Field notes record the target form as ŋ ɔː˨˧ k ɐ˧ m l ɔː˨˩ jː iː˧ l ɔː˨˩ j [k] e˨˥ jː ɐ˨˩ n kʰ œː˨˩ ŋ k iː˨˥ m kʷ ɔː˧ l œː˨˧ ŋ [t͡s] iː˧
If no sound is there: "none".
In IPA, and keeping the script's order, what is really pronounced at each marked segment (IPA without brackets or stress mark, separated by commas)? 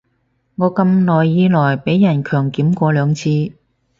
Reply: p, t͡sʰ